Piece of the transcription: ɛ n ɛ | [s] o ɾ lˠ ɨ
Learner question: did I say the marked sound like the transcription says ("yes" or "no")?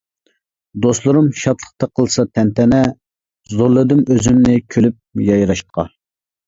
no